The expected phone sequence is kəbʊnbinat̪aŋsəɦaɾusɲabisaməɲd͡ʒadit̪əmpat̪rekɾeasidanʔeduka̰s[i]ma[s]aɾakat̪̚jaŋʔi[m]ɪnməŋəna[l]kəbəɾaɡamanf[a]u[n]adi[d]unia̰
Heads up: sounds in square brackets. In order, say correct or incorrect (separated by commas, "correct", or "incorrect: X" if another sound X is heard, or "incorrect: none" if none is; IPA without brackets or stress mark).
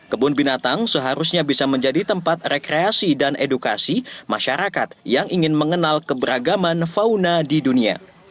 correct, incorrect: ʃ, incorrect: ŋ, correct, correct, correct, correct